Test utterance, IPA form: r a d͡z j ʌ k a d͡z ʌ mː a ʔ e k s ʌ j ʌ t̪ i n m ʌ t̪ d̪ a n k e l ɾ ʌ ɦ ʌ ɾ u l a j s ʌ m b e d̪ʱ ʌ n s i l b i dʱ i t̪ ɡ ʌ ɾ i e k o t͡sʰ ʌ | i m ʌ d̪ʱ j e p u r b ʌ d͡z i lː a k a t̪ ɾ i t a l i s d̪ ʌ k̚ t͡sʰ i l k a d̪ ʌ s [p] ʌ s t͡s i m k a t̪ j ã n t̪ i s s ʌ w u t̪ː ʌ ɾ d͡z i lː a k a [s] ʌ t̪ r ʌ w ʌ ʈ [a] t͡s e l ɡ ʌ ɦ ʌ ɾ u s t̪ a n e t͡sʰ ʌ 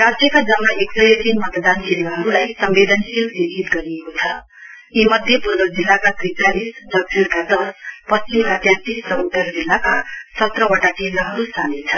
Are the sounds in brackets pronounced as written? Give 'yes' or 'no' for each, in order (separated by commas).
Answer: yes, yes, yes